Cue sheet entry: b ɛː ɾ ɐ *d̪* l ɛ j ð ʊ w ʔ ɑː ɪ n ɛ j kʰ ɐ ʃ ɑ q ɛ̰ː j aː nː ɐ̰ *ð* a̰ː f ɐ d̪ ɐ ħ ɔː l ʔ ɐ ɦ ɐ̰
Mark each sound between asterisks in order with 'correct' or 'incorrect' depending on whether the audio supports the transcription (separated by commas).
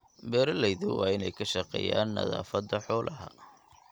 incorrect, correct